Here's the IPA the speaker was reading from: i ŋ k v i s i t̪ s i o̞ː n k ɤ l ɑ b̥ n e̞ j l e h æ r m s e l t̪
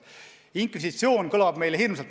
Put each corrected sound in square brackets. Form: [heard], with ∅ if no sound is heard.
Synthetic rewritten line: i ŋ k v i s i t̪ s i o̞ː n k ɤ l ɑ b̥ [m] e̞ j l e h [i] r m s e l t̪

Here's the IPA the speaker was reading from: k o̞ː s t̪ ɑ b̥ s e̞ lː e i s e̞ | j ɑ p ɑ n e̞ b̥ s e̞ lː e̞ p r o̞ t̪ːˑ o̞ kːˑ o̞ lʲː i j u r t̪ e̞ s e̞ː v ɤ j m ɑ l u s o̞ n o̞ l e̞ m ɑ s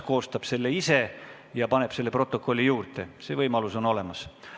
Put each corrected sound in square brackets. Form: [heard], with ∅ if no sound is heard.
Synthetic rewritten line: k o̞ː s t̪ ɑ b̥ s e̞ lː e i s e̞ | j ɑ p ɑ n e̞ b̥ s e̞ lː e̞ p r o̞ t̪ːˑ o̞ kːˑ o̞ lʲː i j [uː] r t̪ e̞ s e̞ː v ɤ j m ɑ l u s o̞ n o̞ l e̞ m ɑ s

